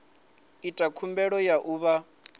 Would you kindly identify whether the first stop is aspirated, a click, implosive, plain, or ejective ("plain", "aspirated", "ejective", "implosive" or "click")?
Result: ejective